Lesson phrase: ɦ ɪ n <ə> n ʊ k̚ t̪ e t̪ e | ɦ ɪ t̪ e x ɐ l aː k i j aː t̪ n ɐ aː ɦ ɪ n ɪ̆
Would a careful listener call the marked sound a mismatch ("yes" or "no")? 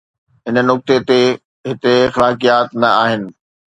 no